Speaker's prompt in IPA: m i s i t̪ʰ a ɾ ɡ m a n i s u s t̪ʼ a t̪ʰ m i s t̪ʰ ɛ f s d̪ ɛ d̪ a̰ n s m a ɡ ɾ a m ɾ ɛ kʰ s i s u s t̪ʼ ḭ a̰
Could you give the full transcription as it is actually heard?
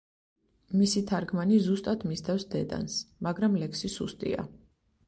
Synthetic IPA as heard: m i s i t̪ʰ a ɾ ɡ m a n i z u s t̪ʼ a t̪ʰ m i s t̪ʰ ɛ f s d̪ ɛ d̪ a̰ n s m a ɡ ɾ a m l ɛ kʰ s i s u s t̪ʼ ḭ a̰